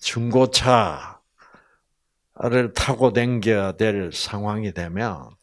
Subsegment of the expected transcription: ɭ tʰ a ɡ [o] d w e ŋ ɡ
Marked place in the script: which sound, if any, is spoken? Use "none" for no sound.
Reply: o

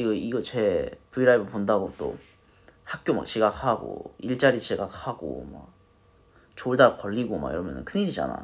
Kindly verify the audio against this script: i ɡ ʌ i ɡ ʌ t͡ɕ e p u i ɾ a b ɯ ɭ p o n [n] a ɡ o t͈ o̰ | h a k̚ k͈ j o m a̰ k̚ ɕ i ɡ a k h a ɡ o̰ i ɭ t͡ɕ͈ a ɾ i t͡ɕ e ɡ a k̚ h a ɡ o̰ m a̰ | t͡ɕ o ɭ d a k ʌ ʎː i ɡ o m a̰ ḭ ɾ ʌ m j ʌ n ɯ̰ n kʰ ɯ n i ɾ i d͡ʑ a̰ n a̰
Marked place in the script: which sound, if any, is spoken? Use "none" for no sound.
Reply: d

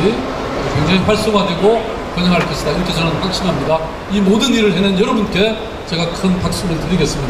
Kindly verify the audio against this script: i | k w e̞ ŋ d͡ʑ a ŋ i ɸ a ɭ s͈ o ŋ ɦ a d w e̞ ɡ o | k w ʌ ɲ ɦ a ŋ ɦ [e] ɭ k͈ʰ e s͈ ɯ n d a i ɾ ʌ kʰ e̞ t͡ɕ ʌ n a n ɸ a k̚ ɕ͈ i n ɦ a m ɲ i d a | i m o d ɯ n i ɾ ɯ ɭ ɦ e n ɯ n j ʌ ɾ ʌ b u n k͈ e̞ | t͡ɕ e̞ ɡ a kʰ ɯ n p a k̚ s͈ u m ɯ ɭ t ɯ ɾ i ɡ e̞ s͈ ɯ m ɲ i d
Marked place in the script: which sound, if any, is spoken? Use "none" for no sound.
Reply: a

